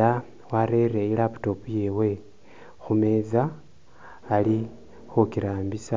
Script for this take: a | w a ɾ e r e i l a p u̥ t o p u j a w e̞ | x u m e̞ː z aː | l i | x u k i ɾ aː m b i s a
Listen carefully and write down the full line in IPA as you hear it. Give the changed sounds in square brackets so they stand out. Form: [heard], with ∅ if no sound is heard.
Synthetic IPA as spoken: a | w a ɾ e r e i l a p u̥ t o p u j [e] w e̞ | x u m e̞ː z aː | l i | x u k i ɾ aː m b i s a